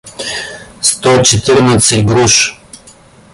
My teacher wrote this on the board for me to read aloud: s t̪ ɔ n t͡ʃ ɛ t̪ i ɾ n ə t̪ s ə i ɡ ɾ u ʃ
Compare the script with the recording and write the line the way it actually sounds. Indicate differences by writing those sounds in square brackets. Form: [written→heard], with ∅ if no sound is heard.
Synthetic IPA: s t̪ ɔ [n→∅] t͡ʃ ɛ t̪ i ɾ n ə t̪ s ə i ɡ ɾ u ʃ